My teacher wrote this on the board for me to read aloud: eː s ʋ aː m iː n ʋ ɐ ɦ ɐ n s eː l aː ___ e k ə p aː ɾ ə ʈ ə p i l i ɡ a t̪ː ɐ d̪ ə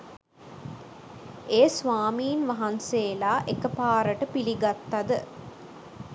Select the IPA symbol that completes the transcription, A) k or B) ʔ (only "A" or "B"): B